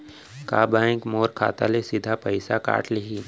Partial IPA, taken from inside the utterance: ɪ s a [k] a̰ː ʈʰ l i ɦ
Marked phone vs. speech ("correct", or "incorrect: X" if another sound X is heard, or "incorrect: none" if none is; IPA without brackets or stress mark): correct